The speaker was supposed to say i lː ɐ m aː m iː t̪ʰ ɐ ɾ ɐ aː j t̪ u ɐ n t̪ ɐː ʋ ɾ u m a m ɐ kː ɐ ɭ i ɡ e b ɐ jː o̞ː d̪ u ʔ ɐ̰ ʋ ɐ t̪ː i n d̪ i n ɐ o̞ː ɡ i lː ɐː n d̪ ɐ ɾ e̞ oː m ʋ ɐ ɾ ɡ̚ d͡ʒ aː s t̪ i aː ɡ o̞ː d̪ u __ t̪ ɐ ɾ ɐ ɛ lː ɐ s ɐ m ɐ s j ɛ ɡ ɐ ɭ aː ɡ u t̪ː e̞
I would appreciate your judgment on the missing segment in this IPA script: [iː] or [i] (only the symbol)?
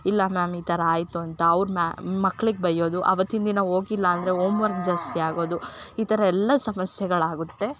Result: iː